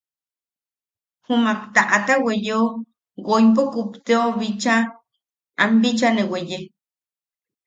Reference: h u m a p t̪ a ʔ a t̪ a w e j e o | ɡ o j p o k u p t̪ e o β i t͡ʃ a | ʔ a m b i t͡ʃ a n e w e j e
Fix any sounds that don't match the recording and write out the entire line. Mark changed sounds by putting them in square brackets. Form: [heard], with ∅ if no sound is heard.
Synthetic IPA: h u m a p t̪ a ʔ a t̪ a w e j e o | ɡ o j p o k u p t̪ e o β i t͡ʃ a | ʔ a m b i t͡ʃ a n e w e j e